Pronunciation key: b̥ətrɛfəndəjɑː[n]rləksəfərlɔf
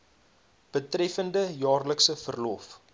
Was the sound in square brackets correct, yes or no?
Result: no